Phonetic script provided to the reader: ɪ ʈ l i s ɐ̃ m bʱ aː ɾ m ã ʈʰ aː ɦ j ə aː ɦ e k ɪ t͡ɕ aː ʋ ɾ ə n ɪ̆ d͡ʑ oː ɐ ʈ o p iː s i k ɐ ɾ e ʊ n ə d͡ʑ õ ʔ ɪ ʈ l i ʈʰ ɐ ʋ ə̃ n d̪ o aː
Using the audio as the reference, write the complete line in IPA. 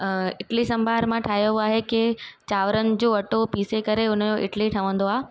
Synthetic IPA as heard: ɪ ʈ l i s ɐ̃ m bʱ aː ɾ m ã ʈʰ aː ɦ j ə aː ɦ e k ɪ t͡ɕ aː ʋ ɾ ə n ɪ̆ d͡ʑ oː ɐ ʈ o p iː s e k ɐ ɾ e ʊ n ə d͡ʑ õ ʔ ɪ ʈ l i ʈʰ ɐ ʋ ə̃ n d̪ o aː